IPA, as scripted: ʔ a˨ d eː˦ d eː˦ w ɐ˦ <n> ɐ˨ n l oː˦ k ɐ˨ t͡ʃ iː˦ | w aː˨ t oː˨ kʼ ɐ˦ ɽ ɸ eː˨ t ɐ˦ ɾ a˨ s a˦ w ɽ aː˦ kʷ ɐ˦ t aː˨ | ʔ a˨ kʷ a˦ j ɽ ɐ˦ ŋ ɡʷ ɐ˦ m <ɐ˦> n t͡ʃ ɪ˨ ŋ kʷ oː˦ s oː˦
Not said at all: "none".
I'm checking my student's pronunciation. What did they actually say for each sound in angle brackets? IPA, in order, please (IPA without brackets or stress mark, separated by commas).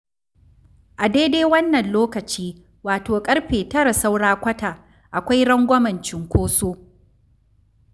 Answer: nː, ɐ˨